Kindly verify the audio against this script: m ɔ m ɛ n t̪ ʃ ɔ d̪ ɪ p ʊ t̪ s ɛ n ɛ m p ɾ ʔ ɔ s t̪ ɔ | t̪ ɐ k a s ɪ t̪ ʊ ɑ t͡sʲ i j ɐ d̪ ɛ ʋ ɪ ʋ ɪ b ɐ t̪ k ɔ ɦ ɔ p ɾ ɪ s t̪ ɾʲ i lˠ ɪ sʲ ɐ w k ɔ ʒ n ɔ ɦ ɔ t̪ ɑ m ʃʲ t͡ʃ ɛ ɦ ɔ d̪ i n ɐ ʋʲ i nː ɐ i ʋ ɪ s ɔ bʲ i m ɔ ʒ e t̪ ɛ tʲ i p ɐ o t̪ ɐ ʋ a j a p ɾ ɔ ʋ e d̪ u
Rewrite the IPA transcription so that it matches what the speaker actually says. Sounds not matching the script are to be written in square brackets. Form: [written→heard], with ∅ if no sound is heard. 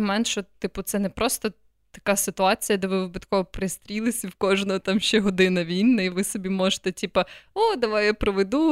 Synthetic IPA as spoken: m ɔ m ɛ n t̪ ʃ ɔ [d̪→t̪] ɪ p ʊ t̪ s ɛ n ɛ [m→∅] p ɾ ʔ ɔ s t̪ ɔ | t̪ ɐ k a s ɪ t̪ ʊ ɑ t͡sʲ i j ɐ d̪ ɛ ʋ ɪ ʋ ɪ b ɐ t̪ k ɔ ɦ ɔ p ɾ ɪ s t̪ ɾʲ i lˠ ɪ sʲ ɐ w k ɔ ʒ n ɔ ɦ ɔ t̪ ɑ m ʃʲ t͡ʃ ɛ ɦ ɔ d̪ [i→ɪ] n ɐ ʋʲ i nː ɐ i ʋ ɪ s ɔ bʲ i m ɔ ʒ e t̪ ɛ tʲ i p ɐ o [t̪→d̪] ɐ ʋ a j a p ɾ ɔ ʋ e d̪ u